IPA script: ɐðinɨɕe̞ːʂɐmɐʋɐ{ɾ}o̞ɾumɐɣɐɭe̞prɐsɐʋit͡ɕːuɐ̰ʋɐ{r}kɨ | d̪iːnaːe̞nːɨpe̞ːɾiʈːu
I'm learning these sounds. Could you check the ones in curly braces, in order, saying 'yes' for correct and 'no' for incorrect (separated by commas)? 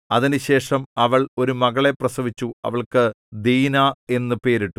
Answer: no, no